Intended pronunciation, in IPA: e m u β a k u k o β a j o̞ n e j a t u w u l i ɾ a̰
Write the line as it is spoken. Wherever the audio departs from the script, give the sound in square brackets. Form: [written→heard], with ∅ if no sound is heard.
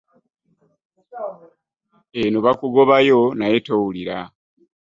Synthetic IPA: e [m→n] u β a k u [k→ɡ] o β a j o̞ n [e→a] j [a→e] t [u→o] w u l i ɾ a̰